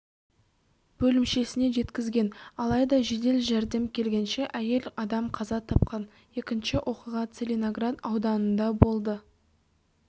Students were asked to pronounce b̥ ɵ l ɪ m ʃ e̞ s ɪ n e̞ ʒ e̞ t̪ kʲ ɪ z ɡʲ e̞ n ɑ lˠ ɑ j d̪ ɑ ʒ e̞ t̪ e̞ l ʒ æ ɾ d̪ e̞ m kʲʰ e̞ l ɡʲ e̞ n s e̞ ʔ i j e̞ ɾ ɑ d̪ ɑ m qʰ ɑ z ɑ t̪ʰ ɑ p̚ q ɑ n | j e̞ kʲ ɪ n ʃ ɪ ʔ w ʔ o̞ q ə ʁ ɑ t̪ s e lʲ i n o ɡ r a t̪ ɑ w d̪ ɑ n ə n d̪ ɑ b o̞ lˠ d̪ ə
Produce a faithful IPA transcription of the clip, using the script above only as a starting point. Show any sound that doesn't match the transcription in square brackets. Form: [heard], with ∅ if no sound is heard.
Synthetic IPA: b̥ ɵ l ɪ m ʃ e̞ s ɪ n e̞ ʒ e̞ t̪ kʲ ɪ z ɡʲ e̞ n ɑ lˠ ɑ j d̪ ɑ ʒ e̞ [d̪] e̞ l ʒ æ ɾ d̪ e̞ m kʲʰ e̞ l ɡʲ e̞ n [ʃ] e̞ ʔ [æ] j e̞ [l] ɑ d̪ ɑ m qʰ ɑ z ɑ t̪ʰ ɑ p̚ q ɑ n | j e̞ kʲ ɪ n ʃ ɪ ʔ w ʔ o̞ q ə ʁ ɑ t̪ s e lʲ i n o ɡ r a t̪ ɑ w d̪ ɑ n ə n d̪ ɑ b o̞ lˠ d̪ ə